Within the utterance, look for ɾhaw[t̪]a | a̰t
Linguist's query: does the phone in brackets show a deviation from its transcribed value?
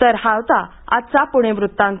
no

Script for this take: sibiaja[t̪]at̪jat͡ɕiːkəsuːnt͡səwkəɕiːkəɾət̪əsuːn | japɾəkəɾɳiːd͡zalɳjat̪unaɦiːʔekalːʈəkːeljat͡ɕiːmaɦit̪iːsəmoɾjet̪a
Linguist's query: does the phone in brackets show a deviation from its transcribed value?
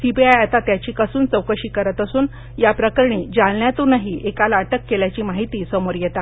no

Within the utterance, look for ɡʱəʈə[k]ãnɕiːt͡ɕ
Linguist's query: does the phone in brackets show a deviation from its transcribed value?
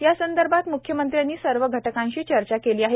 no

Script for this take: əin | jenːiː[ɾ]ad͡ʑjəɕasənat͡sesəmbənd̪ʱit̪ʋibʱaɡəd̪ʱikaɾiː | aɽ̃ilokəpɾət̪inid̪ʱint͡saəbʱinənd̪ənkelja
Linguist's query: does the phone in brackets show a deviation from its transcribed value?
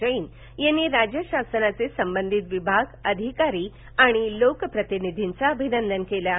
no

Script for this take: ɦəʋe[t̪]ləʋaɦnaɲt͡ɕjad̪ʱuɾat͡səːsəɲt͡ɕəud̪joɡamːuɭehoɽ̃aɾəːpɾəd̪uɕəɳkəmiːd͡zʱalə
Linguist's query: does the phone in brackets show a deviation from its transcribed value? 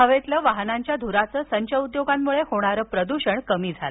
no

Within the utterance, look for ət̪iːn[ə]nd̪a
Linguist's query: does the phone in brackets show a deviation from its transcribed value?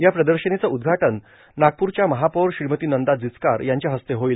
no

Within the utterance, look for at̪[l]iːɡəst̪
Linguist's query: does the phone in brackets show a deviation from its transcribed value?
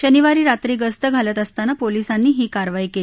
yes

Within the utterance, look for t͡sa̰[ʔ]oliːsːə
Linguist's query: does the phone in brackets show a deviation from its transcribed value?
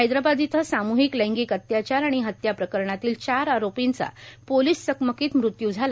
yes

